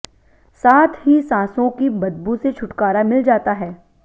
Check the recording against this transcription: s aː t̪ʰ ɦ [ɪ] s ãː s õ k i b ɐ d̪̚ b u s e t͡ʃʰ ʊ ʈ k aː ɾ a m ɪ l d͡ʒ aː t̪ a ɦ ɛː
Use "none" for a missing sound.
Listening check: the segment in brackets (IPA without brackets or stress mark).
i